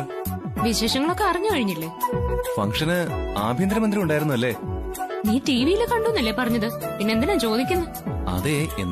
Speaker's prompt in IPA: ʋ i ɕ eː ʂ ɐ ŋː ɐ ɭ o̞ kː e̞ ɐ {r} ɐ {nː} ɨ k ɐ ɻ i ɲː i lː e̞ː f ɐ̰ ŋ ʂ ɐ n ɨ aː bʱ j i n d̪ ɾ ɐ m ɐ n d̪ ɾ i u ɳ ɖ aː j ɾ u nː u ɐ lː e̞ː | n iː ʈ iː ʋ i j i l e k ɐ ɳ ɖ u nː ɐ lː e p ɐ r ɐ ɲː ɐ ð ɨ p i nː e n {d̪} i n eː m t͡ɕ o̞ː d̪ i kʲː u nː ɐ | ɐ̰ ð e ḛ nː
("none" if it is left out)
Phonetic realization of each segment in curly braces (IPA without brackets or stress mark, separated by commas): r, ɲː, d̪